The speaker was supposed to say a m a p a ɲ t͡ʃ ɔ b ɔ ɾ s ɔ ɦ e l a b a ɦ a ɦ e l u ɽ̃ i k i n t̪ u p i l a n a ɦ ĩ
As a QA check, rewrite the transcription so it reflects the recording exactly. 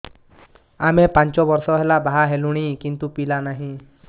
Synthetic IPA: a m e p a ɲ t͡ʃ ɔ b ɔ ɾ s ɔ ɦ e l a b a ɦ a ɦ e l u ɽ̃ i k i n t̪ u p i l a n a ɦ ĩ